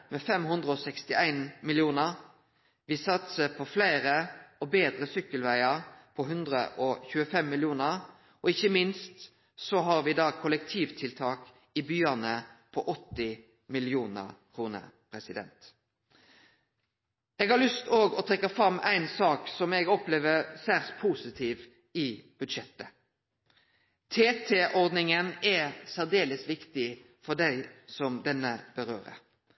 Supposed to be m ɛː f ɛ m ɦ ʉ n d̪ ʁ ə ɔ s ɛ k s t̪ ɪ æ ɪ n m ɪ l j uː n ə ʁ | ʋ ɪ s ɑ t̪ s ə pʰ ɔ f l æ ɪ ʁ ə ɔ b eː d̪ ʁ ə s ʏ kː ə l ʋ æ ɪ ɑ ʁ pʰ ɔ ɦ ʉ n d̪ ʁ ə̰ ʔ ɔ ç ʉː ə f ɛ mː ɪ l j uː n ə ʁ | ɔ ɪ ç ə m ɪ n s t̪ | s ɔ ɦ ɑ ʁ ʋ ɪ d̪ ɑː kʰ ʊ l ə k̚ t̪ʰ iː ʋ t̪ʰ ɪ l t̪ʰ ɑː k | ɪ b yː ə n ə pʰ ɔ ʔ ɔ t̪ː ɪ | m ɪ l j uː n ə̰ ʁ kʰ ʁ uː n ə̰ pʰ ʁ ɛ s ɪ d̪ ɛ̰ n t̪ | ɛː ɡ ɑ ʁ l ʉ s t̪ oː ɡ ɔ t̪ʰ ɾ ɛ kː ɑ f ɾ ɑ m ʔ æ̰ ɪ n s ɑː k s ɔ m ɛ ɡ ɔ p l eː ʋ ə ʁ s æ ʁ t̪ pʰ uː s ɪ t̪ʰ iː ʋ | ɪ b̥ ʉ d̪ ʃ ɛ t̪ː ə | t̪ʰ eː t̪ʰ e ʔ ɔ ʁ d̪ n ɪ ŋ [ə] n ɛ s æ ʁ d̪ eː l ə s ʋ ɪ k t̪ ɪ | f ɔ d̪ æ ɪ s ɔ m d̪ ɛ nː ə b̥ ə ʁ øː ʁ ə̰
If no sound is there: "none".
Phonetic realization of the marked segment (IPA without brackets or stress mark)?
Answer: ə